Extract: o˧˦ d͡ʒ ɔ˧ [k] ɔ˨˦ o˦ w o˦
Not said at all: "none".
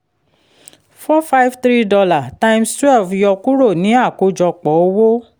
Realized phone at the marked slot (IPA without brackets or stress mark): k͡p